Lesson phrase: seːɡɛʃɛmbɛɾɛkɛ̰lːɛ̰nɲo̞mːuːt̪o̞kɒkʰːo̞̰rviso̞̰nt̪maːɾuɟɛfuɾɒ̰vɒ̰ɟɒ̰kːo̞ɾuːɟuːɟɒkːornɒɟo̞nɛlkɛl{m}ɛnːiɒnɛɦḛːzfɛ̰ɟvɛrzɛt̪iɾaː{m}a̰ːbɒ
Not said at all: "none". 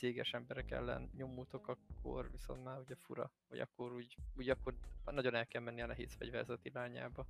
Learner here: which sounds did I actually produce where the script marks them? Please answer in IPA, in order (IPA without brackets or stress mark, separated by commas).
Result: m, ɲ